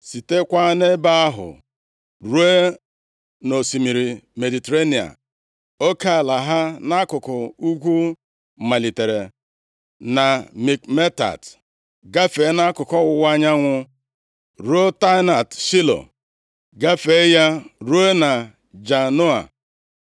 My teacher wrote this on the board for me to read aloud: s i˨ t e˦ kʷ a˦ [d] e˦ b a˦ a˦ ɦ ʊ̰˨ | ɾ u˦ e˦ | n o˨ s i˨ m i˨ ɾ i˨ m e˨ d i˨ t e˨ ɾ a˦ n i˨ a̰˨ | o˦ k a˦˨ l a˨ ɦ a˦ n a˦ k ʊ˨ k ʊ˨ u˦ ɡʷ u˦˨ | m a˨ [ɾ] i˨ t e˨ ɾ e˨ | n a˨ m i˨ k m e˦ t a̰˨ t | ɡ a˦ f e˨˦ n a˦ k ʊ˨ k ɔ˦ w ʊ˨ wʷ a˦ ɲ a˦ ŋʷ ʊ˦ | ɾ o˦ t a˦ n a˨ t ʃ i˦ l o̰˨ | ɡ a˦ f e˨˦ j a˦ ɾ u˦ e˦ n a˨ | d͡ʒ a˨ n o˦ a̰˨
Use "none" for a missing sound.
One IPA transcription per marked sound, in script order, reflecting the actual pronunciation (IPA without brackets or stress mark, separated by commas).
n, l